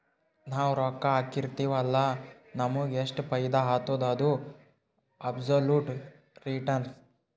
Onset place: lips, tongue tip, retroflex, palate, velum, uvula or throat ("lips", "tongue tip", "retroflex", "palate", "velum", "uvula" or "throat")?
tongue tip